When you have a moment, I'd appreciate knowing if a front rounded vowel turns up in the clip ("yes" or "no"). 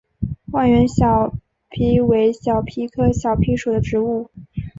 no